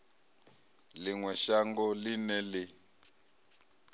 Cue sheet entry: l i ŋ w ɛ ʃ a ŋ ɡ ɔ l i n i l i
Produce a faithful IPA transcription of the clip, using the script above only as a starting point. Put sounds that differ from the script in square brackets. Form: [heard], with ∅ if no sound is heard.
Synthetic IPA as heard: l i ŋ w ɛ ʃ a ŋ ɡ ɔ l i n [ɛ] l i